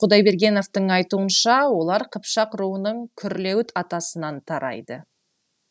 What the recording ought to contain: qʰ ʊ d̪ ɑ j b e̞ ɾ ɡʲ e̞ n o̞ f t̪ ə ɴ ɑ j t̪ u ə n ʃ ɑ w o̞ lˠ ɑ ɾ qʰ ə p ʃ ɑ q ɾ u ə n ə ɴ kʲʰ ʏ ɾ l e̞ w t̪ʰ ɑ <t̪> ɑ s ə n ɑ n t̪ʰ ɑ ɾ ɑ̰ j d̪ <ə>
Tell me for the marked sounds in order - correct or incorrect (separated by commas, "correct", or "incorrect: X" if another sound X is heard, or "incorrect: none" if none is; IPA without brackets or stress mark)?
correct, correct